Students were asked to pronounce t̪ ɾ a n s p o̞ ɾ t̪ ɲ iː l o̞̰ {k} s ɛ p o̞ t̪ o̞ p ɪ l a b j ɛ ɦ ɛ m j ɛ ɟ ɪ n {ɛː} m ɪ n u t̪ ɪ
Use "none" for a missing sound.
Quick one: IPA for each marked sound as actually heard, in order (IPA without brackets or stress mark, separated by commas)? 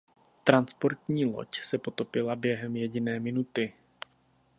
c, ɛː